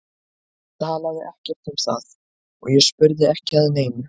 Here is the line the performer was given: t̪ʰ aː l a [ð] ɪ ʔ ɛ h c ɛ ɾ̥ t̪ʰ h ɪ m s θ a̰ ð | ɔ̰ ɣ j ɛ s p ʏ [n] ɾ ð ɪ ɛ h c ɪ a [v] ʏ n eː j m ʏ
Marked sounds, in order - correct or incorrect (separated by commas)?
correct, incorrect, incorrect